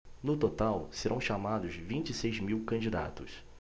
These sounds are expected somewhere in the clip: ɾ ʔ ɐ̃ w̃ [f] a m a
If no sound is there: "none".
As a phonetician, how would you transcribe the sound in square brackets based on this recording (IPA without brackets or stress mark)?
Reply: ʃ